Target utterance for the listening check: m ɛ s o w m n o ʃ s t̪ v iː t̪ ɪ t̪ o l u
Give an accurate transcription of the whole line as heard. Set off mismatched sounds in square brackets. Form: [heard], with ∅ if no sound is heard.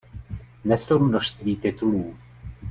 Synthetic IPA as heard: [n] ɛ s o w m n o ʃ s t̪ v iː t̪ ɪ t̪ [u] l [uː]